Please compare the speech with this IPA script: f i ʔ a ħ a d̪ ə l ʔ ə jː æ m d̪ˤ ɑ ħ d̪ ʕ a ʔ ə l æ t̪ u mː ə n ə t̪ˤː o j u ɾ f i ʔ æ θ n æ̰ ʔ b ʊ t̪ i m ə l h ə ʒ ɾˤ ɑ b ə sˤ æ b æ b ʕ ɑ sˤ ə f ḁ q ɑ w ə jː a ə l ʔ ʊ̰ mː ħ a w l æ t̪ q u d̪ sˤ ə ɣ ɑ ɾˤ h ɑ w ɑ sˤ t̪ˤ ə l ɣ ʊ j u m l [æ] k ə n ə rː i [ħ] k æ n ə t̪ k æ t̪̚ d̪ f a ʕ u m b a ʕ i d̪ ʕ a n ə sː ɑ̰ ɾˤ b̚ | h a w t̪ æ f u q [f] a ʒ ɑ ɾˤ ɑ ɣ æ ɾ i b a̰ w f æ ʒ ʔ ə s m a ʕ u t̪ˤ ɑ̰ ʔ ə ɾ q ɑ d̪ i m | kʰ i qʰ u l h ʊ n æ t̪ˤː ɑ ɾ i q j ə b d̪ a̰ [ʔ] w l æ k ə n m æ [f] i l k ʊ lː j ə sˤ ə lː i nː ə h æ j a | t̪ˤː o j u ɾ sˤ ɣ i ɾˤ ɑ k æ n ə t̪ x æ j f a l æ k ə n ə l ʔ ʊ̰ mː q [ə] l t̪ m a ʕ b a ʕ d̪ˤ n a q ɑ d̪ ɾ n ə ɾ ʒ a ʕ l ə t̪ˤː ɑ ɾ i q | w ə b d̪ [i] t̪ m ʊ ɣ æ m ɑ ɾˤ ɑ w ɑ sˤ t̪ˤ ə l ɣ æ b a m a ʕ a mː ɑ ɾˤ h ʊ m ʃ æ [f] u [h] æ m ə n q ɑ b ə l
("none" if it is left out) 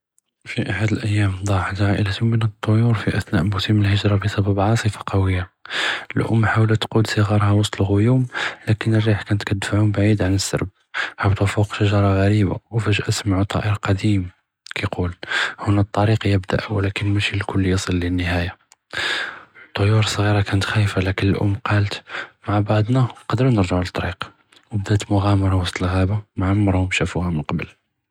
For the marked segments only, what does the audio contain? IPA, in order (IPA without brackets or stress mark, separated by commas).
æ, ħ, ʃ, ʔ, ʃ, ɑ, æ, f, h